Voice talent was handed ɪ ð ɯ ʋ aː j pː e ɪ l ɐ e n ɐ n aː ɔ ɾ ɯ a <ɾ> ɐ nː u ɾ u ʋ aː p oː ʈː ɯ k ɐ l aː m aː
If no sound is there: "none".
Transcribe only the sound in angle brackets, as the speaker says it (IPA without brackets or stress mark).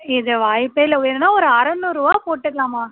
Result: ɾ